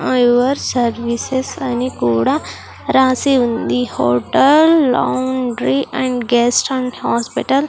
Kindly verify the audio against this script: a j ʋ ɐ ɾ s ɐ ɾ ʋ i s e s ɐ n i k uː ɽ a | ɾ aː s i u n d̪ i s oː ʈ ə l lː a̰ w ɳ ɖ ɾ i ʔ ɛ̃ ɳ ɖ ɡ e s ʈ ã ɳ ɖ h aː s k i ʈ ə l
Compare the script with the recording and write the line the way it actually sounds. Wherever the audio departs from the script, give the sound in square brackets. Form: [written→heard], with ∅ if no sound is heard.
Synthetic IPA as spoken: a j ʋ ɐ ɾ s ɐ ɾ ʋ i s e s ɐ n i k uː ɽ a | ɾ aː s i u n d̪ i [s→h] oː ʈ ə l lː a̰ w ɳ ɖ ɾ i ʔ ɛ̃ ɳ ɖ ɡ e s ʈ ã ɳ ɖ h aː s [k→p] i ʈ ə l